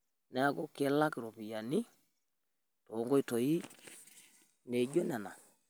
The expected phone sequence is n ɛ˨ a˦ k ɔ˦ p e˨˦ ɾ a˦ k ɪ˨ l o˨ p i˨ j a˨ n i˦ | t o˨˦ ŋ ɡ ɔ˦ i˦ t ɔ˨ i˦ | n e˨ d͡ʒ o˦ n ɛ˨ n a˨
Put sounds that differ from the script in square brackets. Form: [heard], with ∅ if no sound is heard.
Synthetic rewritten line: n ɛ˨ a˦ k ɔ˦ [k] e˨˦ [l] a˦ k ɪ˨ [ɾ] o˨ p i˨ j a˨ n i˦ | t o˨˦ ŋ ɡ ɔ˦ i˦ t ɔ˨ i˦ | n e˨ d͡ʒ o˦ n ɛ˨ n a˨